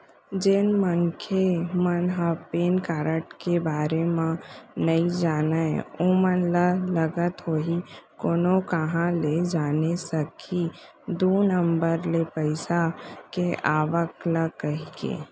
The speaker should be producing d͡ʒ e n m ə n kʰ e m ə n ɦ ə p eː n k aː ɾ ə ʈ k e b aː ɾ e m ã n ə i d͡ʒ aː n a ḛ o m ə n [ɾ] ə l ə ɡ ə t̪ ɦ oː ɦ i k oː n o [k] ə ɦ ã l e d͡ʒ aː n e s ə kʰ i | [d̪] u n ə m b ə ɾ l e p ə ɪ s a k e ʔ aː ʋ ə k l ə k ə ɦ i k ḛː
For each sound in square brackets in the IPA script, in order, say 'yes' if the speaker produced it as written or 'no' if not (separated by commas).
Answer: no, yes, yes